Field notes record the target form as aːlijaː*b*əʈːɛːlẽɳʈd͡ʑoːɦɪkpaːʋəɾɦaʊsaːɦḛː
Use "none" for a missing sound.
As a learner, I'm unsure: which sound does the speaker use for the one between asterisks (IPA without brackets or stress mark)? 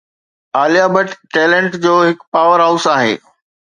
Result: b